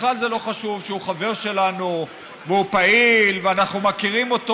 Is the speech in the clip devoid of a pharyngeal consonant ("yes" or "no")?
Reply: yes